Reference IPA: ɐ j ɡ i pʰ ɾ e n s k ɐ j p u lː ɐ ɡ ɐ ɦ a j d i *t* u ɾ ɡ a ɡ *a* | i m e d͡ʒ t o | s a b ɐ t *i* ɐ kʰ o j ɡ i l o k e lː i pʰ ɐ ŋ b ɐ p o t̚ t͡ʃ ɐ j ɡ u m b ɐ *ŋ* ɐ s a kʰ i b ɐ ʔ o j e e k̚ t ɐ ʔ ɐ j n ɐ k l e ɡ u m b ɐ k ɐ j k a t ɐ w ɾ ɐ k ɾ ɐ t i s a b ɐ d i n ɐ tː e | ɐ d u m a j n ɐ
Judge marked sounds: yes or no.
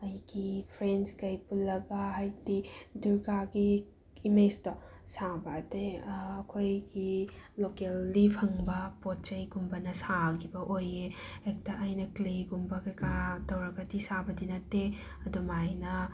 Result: no, no, no, no

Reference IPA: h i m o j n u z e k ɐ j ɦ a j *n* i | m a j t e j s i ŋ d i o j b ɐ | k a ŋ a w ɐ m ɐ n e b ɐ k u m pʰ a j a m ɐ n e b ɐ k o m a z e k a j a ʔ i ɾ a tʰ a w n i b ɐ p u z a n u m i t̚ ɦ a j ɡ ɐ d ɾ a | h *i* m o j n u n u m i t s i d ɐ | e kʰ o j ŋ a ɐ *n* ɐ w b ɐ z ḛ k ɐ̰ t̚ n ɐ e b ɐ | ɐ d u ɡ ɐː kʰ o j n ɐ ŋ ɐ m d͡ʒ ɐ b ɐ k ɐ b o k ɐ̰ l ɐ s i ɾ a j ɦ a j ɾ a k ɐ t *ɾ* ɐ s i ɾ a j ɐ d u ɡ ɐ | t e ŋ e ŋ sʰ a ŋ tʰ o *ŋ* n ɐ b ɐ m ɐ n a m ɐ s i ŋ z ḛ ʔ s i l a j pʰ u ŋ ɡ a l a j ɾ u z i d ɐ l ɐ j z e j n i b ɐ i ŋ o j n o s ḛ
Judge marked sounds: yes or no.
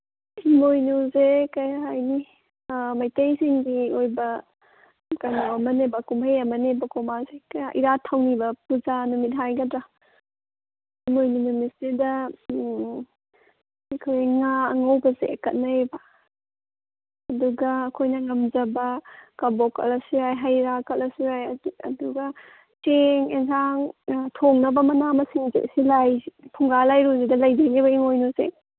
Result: yes, yes, no, no, yes

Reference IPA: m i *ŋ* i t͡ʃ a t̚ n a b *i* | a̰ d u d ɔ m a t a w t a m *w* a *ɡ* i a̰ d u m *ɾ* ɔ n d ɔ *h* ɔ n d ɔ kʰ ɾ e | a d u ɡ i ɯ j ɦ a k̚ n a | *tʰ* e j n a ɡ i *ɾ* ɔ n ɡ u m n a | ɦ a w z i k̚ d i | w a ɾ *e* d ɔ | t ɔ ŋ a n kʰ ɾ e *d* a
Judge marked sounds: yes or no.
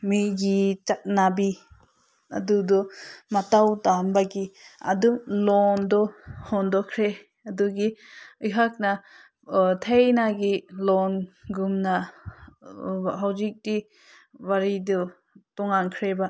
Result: no, yes, no, yes, no, yes, yes, no, no, no

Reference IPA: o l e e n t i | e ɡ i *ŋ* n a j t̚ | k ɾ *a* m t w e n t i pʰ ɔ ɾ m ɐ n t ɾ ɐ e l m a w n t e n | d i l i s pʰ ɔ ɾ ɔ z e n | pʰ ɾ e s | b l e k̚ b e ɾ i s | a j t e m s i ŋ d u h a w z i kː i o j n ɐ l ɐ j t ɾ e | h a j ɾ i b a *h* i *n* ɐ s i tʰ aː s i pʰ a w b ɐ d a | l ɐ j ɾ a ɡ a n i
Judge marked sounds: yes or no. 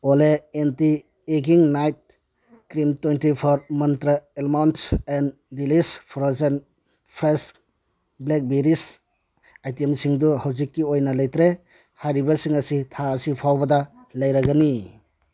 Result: yes, no, no, no

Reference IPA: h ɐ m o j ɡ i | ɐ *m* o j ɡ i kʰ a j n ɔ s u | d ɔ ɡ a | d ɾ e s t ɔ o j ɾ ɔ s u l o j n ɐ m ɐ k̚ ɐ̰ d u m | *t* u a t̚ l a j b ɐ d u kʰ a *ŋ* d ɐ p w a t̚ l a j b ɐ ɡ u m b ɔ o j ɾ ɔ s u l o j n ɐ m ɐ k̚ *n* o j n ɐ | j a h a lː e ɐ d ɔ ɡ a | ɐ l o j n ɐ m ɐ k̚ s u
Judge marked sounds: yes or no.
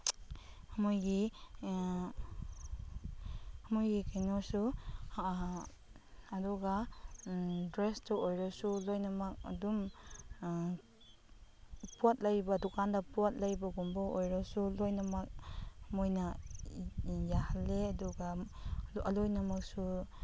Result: yes, no, no, no

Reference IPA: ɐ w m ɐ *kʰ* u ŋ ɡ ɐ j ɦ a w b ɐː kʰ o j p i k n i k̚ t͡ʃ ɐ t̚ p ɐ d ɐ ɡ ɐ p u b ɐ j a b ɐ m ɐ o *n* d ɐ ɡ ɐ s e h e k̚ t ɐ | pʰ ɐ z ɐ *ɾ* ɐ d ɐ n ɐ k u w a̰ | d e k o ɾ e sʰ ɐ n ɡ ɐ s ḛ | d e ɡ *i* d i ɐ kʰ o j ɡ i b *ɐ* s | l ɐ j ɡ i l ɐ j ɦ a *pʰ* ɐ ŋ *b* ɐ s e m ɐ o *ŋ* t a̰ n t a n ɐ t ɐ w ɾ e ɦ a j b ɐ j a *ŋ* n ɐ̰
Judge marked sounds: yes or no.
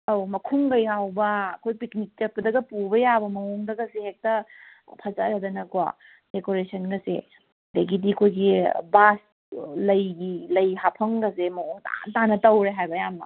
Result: yes, no, yes, yes, no, yes, no, yes, no

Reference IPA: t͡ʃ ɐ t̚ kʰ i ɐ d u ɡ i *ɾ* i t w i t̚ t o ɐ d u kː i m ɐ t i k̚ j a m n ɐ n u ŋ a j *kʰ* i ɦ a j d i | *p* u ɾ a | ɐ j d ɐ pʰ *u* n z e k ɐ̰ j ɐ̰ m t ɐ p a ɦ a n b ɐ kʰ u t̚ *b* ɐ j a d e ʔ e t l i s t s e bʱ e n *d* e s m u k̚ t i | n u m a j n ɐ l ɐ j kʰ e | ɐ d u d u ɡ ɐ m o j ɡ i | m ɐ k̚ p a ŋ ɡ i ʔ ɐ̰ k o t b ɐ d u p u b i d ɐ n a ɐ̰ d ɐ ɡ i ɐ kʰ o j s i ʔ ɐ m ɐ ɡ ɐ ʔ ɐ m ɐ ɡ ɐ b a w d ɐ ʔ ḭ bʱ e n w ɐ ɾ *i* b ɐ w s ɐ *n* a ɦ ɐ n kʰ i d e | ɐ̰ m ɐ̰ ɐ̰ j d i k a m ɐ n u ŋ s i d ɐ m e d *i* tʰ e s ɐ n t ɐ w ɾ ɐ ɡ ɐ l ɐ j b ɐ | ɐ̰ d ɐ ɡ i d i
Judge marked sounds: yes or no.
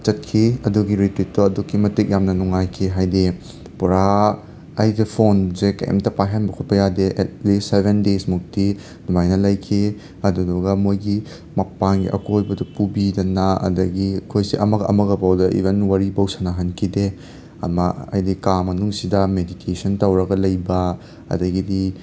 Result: yes, yes, yes, no, no, yes, yes, yes, yes

